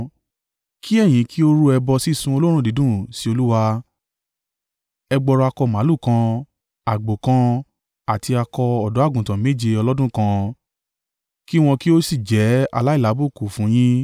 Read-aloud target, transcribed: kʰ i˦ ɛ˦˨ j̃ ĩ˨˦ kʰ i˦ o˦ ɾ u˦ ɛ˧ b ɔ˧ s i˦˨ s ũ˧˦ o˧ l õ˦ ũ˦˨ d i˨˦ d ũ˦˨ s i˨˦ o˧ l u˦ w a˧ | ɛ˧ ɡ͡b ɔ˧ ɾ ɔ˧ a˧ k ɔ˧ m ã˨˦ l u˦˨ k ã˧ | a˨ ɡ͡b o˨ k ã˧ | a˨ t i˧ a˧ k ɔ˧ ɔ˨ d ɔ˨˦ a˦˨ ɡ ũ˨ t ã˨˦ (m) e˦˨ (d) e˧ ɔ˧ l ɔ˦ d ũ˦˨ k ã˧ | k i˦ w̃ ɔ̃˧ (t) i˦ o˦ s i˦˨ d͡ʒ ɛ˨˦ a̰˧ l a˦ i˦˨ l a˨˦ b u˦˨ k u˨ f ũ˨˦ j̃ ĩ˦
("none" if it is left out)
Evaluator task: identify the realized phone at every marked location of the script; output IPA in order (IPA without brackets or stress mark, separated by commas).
m, d͡ʒ, k